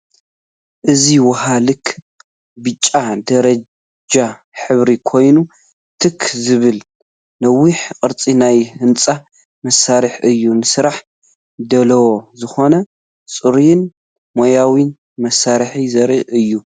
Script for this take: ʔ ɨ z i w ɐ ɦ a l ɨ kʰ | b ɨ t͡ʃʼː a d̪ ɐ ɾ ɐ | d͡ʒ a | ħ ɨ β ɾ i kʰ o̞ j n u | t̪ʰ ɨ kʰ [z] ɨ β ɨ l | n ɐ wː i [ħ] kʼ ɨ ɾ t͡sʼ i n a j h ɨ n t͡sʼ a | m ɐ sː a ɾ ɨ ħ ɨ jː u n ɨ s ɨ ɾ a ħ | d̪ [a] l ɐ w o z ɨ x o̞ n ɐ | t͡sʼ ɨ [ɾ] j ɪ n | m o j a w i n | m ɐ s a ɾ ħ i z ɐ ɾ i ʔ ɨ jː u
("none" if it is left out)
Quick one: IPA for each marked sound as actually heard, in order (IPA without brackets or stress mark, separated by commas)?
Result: z, ħ, ɐ, ɾ